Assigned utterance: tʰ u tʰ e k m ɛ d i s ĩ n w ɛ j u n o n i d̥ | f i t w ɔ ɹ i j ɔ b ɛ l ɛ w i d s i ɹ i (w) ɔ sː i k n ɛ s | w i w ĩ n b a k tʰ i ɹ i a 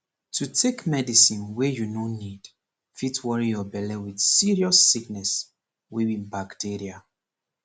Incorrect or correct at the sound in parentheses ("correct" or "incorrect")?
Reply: incorrect